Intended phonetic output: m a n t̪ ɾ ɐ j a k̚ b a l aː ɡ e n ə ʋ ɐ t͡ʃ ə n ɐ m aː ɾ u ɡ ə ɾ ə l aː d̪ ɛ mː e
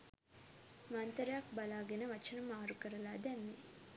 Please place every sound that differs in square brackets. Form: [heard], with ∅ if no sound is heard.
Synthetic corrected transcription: m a n t̪ ɾ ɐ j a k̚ b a l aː ɡ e n ə ʋ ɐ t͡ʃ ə n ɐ m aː ɾ u [k] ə ɾ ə l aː d̪ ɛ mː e